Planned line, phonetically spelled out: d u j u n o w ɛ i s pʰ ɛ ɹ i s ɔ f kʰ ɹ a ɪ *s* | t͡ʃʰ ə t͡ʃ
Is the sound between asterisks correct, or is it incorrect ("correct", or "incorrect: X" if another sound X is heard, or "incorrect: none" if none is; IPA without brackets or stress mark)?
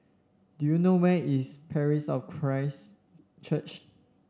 correct